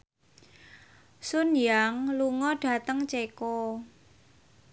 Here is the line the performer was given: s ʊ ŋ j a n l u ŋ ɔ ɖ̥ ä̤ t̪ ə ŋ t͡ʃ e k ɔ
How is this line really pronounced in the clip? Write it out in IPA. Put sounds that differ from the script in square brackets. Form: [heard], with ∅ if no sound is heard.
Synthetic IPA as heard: s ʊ [n] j a [ŋ] l u ŋ ɔ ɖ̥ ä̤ t̪ ə ŋ t͡ʃ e k ɔ